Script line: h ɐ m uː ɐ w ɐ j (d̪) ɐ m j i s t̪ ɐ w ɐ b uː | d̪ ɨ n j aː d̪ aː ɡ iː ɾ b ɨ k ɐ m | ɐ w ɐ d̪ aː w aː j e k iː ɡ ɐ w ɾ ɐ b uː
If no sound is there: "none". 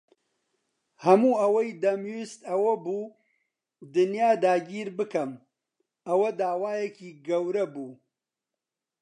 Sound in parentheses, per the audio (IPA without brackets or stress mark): d̪